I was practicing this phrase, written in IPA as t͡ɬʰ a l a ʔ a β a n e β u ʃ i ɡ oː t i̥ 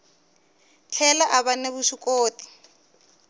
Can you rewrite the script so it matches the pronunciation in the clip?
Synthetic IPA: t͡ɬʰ ɛ l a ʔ a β a n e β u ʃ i k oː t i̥